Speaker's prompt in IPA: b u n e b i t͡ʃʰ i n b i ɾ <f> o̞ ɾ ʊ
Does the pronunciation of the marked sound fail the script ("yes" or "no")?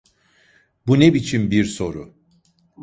yes